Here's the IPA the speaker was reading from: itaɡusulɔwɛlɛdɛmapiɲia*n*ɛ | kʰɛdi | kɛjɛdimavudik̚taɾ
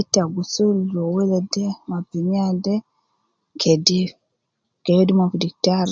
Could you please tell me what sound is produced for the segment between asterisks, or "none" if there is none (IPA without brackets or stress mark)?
d